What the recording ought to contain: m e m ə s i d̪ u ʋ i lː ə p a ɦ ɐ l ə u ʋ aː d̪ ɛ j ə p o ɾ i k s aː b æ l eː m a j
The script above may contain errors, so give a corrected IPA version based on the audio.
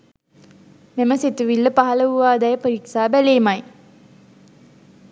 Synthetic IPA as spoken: m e m ə s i t̪ u ʋ i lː ə p a ɦ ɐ l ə u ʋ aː d̪ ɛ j ə p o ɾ i k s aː b æ l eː m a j